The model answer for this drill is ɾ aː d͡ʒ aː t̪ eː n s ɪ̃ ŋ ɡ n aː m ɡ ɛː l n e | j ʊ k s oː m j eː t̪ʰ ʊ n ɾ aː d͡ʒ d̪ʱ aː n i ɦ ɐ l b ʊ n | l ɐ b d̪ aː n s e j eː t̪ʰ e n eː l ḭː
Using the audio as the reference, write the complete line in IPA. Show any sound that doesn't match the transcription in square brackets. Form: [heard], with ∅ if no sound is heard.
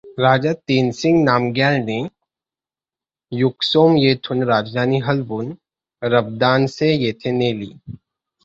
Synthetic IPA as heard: ɾ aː d͡ʒ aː t̪ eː n s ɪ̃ ŋ ɡ n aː m ɡ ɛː l n e | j ʊ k s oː m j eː t̪ʰ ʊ n ɾ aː d͡ʒ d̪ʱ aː n i ɦ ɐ l b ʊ n | [ɾ] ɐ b d̪ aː n s e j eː t̪ʰ e n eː l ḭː